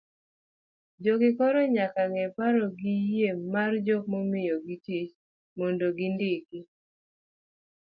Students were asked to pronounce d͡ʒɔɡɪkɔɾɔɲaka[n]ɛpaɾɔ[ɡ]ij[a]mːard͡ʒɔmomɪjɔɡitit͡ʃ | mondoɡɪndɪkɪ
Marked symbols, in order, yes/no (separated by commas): no, yes, no